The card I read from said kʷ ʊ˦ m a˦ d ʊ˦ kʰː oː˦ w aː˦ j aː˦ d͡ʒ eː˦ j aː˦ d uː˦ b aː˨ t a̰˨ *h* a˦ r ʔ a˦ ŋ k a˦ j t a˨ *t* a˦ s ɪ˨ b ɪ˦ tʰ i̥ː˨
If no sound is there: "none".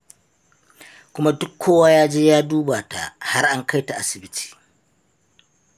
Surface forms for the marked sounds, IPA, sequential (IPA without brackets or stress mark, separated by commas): h, ʔ